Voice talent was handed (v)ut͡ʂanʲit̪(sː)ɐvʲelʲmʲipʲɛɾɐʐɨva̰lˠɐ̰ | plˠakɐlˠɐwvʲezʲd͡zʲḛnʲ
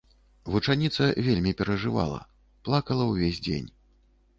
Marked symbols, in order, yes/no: yes, no

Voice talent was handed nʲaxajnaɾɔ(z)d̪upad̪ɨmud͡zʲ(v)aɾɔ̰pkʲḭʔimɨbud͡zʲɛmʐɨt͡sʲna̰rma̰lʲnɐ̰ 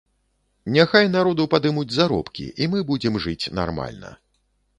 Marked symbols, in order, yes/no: no, no

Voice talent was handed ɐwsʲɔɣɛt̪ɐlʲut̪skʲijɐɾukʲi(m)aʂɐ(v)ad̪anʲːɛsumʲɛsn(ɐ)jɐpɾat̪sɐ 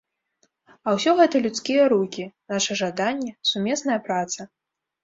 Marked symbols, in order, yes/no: no, no, yes

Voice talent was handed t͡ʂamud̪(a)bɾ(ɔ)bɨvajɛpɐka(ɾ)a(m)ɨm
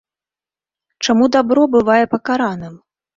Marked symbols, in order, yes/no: yes, yes, yes, no

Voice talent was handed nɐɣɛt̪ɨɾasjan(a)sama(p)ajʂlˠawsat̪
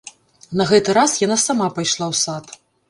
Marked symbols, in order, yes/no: yes, yes

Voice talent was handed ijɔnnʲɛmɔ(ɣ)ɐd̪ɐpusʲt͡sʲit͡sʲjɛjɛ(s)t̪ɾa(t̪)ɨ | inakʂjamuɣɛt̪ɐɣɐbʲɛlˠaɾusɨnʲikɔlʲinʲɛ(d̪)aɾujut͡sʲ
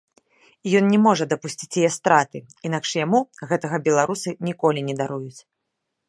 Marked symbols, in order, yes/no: no, yes, yes, yes

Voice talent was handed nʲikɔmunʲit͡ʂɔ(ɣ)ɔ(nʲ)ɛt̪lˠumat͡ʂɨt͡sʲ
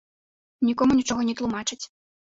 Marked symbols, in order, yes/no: yes, yes

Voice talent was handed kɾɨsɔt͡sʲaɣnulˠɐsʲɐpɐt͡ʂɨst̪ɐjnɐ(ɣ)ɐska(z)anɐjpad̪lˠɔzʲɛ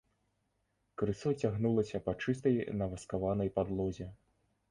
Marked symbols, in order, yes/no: no, no

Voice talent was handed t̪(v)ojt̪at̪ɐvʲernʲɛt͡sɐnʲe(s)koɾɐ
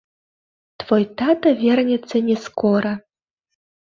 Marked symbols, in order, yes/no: yes, yes

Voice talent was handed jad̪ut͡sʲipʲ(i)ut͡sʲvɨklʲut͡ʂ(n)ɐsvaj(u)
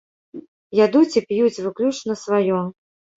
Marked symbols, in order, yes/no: no, yes, no

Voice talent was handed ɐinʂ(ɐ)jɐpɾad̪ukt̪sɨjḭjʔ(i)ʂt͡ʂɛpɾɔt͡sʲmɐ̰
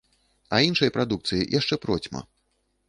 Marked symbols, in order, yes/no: yes, no

